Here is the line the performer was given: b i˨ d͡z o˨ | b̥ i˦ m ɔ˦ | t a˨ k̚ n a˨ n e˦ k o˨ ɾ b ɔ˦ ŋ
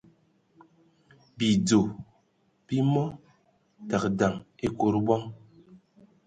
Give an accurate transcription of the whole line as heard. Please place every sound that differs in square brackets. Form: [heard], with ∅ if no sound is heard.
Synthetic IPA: b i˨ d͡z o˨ | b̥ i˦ m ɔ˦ | t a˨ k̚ [d] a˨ [ŋ] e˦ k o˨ ɾ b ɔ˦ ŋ

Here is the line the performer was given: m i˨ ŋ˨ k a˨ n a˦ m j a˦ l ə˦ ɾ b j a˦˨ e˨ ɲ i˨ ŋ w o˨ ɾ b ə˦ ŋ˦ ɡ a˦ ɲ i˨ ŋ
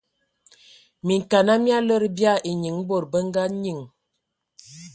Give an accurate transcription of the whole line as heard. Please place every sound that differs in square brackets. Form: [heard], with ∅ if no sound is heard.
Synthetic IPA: m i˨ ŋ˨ k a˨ n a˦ m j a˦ l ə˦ ɾ b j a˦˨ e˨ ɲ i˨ ŋ [b] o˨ ɾ b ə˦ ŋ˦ ɡ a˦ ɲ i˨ ŋ

